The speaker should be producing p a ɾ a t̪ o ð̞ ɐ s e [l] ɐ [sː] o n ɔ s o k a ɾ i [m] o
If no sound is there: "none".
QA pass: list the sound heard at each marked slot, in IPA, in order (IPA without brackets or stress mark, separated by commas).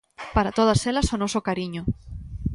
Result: l, s, ɲ